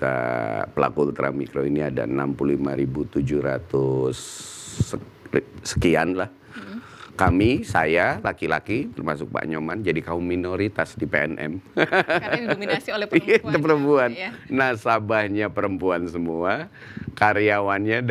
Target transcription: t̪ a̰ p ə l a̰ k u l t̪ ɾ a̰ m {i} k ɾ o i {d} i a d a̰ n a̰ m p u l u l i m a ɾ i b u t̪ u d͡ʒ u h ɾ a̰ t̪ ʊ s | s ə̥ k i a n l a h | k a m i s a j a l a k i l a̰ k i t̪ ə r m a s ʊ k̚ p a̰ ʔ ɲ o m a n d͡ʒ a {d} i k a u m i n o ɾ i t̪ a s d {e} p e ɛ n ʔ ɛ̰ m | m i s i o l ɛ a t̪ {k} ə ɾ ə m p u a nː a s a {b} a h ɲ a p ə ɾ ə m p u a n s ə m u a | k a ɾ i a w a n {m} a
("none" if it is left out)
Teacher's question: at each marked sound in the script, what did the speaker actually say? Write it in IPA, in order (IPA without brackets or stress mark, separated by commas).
i, n, d, i, p, b, ɲ